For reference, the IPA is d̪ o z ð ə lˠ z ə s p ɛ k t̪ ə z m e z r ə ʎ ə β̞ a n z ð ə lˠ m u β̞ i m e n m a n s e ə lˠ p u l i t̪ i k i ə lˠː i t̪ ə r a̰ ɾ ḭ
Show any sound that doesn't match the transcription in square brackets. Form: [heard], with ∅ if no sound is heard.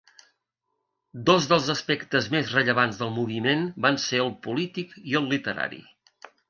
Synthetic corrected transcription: d̪ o z ð ə lˠ z ə s p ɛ k t̪ ə z m e z r ə ʎ ə β̞ a n z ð ə lˠ m u β̞ i m e n [b] a n s e ə lˠ p u l i t̪ i k i ə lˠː i t̪ ə [ɾ] a̰ ɾ ḭ